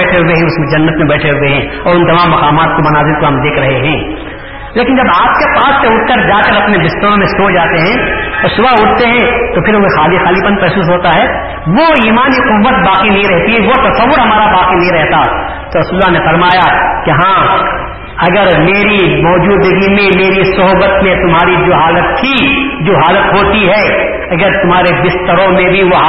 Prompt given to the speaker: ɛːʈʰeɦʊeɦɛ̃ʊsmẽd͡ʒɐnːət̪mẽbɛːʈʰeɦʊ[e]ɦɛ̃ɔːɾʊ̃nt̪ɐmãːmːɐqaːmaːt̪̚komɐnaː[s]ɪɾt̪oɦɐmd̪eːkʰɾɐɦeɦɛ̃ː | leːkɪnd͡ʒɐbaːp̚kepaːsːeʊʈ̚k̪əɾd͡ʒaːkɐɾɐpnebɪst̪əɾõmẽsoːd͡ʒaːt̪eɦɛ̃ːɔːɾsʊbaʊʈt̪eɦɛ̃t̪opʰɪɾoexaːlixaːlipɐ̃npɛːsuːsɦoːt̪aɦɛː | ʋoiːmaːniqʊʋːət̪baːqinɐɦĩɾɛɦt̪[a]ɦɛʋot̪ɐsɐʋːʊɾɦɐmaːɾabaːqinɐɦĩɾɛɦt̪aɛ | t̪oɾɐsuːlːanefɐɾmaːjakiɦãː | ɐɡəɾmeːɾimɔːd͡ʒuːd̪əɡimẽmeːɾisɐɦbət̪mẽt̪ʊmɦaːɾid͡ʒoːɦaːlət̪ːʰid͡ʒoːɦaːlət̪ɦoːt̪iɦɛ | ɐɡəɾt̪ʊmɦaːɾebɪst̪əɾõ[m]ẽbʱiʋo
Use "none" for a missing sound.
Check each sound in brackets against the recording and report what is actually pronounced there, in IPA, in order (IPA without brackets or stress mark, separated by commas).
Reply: e, z, i, m